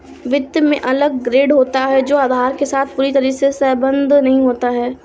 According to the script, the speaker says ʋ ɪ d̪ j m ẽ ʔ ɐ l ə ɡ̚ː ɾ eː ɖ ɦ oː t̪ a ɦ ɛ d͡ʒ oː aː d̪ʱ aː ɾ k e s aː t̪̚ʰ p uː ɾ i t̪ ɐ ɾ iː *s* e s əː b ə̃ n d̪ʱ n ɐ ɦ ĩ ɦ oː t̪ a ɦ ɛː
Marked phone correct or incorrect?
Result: correct